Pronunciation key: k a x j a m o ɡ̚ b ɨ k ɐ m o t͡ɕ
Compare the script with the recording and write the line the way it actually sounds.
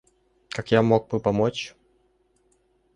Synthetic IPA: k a k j a m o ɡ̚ b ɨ p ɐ m o t͡ɕ